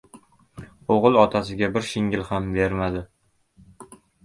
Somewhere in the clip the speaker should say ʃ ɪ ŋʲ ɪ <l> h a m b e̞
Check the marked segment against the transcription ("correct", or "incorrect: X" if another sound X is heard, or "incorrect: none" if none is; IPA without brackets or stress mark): correct